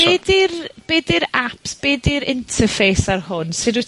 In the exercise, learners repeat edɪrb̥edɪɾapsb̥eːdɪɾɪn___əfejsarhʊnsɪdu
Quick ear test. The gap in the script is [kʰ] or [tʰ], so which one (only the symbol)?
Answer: tʰ